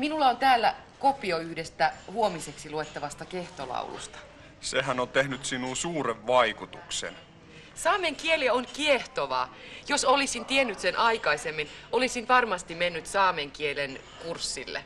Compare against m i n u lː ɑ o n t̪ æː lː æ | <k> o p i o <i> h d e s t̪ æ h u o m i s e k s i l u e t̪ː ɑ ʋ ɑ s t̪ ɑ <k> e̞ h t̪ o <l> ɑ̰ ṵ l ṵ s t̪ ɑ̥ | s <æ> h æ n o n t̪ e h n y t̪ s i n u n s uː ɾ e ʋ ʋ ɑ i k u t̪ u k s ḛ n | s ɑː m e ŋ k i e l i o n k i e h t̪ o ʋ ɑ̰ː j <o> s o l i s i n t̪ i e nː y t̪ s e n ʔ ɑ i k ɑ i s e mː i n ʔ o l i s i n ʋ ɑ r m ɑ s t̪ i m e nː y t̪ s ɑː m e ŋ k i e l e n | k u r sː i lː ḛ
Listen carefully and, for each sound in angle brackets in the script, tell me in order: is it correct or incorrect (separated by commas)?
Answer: correct, incorrect, correct, correct, incorrect, correct